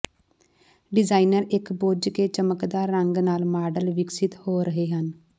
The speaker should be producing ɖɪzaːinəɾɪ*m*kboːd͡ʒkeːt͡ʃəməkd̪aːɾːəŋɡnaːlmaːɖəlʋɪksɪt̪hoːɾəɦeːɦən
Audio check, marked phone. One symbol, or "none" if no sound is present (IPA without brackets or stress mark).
none